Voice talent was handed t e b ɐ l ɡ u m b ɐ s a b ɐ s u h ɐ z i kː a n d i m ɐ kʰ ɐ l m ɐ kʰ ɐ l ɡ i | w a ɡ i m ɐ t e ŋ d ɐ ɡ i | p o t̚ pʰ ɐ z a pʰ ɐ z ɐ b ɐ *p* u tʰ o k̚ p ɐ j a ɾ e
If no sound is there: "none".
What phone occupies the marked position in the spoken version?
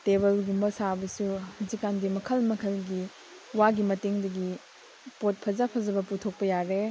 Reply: p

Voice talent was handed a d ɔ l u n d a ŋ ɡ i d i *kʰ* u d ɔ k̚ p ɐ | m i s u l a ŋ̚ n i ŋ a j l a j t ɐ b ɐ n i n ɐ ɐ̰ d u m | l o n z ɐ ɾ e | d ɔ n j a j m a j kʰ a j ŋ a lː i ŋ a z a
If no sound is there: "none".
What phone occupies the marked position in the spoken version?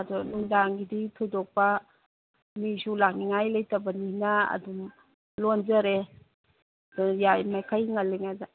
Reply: tʰ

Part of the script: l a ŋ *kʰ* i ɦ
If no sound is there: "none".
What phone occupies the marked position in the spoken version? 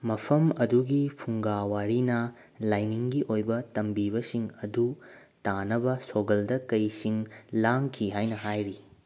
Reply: kʰ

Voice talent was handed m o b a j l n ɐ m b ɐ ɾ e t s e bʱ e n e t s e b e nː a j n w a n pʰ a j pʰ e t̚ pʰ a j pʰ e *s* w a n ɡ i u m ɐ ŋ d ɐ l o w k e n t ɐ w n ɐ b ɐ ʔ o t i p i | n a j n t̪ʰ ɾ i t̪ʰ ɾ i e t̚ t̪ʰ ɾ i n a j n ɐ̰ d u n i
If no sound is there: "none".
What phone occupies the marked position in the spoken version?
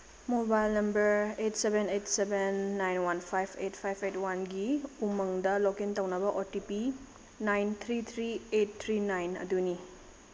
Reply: t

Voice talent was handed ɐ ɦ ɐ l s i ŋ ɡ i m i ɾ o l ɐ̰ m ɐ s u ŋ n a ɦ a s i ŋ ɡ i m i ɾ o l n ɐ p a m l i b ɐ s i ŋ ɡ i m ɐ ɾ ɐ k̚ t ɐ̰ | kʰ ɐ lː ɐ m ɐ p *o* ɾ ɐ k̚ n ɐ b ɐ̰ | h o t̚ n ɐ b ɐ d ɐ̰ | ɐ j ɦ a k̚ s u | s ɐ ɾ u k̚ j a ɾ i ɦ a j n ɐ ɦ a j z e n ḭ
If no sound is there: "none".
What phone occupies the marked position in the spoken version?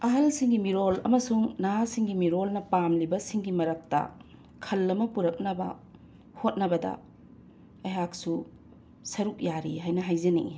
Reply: u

